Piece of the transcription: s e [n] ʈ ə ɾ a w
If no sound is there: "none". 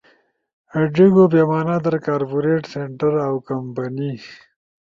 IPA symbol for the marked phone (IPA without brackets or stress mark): ɳ